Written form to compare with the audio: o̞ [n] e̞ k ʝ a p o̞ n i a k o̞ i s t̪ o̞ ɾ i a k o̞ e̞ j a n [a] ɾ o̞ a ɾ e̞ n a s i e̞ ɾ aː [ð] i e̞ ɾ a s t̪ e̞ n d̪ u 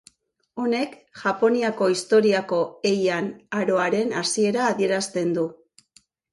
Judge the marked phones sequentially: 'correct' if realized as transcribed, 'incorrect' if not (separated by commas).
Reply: correct, correct, correct